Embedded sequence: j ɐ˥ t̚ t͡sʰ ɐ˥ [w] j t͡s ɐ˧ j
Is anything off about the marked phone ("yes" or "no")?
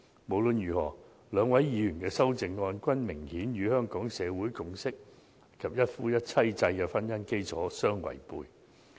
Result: yes